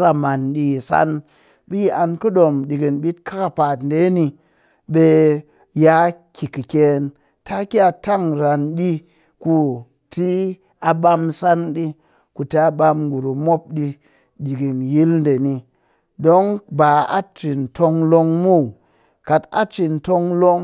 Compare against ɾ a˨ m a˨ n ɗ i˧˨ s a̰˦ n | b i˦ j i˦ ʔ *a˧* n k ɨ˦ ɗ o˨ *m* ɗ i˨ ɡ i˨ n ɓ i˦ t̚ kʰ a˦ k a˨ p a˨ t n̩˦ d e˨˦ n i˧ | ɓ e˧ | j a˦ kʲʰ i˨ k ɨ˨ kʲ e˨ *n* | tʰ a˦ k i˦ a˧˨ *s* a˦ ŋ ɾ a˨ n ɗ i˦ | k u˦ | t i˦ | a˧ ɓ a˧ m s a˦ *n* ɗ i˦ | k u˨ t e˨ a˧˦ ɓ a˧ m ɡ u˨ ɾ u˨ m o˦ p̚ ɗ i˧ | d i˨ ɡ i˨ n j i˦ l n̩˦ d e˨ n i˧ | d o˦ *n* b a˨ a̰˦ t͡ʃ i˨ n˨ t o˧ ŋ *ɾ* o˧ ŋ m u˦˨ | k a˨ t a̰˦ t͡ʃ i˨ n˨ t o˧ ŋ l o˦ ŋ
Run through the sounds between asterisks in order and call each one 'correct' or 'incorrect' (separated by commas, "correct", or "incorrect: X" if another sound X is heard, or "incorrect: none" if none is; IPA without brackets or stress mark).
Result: correct, correct, correct, incorrect: t, correct, incorrect: ŋ, incorrect: l